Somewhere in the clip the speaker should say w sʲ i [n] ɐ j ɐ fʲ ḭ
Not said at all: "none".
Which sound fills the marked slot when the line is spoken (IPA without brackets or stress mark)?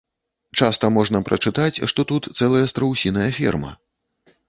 n